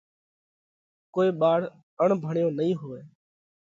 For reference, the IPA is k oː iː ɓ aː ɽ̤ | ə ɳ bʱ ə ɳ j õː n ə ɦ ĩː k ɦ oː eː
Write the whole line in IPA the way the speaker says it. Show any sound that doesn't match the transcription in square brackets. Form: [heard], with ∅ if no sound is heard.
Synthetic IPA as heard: k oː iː ɓ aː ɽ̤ | ə ɳ bʱ ə ɳ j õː n ə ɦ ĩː [∅] ɦ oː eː